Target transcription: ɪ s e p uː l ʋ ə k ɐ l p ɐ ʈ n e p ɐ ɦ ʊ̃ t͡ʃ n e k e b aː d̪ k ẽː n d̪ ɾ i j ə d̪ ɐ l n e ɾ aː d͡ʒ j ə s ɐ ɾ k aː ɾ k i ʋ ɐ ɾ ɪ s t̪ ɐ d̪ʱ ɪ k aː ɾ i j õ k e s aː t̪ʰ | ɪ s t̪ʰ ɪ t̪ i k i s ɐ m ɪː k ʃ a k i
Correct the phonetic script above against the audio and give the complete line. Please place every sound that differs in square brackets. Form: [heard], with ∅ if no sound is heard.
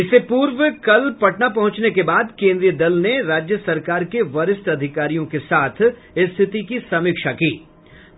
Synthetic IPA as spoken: ɪ s e p uː [ɾ] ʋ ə k ɐ l p ɐ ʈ n [a] p ɐ ɦ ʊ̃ t͡ʃ n e k e b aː d̪ k ẽː n d̪ ɾ i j ə d̪ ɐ l n e ɾ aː d͡ʒ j ə s ɐ ɾ k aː ɾ k [e] ʋ ɐ ɾ ɪ s t̪ ɐ d̪ʱ ɪ k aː ɾ i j õ k e s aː t̪ʰ | ɪ s t̪ʰ ɪ t̪ i k i s ɐ m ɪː k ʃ a k [iː]